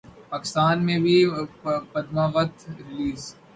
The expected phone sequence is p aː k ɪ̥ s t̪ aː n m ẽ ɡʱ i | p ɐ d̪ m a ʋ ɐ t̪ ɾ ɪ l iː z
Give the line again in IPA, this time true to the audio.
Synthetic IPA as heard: p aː k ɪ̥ s t̪ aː n m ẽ bʱ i | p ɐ d̪ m a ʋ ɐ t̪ ɾ ɪ l iː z